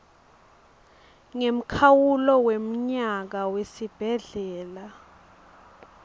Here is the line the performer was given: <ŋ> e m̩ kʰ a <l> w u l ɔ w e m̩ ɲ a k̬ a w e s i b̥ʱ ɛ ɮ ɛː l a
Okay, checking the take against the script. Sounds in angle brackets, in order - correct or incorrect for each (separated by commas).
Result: correct, incorrect